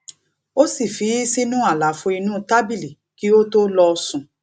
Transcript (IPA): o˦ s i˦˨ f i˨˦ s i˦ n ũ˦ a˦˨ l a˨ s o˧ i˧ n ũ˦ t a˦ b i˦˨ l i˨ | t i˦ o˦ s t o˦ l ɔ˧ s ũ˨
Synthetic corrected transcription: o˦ s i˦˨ f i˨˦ s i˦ n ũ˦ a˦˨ l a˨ f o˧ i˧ n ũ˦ t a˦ b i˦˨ l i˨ | k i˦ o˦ t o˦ l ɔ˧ s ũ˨

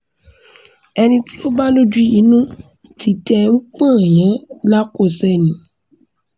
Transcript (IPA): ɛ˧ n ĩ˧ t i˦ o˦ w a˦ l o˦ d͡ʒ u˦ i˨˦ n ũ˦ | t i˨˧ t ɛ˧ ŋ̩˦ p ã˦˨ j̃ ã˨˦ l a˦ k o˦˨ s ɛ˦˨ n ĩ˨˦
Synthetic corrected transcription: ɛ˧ n ĩ˧ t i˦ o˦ b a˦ l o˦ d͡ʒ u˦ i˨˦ n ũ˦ | t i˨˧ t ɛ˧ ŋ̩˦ k͡p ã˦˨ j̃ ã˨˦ l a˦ k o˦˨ s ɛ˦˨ n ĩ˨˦

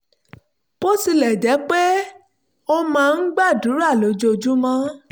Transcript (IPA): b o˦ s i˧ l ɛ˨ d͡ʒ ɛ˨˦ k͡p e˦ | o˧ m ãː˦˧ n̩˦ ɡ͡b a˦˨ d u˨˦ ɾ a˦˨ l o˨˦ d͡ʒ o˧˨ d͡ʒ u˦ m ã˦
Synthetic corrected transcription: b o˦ s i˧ l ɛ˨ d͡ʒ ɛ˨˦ k͡p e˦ | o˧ m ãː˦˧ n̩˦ ɡ͡b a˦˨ d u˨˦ ɾ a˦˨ l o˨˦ d͡ʒ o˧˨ d͡ʒ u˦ m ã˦

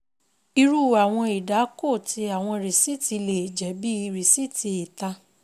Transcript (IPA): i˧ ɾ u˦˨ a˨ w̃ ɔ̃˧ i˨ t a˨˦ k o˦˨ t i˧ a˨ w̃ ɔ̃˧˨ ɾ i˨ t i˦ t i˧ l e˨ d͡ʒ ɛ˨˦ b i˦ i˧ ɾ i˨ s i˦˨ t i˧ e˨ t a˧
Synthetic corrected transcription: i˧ ɾ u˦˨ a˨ w̃ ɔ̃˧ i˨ d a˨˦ k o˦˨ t i˧ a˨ w̃ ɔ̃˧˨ ɾ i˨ s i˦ t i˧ l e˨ d͡ʒ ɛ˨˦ b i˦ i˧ ɾ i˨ s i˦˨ t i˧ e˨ t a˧

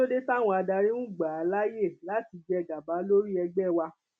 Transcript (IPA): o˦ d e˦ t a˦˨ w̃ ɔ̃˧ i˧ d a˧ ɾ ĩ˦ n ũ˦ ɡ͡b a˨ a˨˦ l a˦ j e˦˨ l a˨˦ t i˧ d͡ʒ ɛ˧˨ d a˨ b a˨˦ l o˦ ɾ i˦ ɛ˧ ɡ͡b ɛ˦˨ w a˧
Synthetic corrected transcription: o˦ d e˦ t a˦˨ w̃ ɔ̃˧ a˧ d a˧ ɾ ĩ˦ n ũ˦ ɡ͡b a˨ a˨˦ l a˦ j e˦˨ l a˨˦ t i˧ d͡ʒ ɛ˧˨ ɡ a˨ b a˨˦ l o˦ ɾ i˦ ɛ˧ ɡ͡b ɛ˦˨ w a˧

